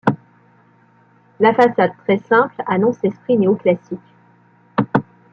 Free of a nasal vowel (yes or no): no